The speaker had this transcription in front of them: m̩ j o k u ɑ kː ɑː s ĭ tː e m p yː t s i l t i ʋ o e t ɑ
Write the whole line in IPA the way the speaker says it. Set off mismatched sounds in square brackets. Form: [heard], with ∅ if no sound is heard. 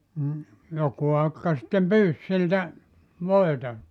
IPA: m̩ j o k u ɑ kː [ɑ] s ĭ tː e m p yː [s] s i l t [æ] ʋ o e t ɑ